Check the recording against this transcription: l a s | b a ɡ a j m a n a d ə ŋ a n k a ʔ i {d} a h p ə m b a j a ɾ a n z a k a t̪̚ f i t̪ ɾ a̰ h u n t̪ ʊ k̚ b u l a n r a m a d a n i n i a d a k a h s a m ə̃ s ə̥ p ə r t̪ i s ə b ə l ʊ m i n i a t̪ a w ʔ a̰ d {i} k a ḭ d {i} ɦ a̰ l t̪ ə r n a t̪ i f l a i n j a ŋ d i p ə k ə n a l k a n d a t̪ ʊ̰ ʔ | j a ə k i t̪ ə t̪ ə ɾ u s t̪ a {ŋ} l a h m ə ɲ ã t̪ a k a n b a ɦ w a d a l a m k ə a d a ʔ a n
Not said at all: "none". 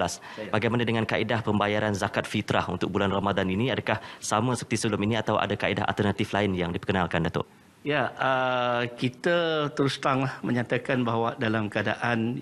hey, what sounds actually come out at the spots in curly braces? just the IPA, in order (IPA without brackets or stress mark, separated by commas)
d, a, a, ŋ